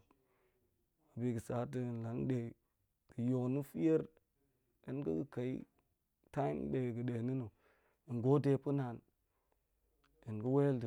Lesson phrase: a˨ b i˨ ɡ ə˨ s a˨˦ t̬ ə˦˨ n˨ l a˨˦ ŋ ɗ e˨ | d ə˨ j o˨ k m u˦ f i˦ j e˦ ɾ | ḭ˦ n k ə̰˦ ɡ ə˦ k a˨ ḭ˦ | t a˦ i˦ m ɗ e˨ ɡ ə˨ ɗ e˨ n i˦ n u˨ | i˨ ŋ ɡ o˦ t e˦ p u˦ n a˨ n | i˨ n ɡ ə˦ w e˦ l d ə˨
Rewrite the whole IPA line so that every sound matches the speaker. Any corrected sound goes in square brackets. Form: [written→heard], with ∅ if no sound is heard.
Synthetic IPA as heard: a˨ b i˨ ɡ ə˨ s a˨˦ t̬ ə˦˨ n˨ l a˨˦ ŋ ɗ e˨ | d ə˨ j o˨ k [m→n] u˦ f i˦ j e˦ ɾ | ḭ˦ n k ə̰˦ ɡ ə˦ k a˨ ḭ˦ | t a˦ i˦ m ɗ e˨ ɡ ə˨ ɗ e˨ n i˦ n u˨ | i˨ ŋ ɡ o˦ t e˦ p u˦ n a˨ n | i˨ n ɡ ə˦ w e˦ l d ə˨